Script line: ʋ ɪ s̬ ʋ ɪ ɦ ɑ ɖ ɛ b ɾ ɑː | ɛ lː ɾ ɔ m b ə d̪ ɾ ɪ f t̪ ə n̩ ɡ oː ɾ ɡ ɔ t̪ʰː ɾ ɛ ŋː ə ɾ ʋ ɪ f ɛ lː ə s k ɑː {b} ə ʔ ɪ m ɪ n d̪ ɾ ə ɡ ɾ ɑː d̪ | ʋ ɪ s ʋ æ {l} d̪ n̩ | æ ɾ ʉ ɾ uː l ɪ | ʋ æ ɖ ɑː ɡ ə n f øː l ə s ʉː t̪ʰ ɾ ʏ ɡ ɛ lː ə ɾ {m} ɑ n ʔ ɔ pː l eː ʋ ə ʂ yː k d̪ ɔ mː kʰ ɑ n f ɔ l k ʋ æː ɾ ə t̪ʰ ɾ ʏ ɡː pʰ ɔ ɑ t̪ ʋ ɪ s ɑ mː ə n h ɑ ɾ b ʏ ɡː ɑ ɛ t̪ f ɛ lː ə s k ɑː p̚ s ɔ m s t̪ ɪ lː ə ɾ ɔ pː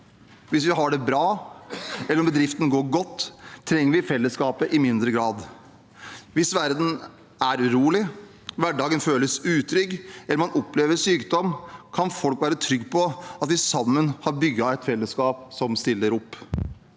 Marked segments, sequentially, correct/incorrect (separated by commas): incorrect, incorrect, correct